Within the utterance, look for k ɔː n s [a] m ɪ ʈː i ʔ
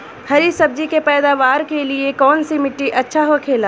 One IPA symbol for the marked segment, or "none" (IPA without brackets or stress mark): i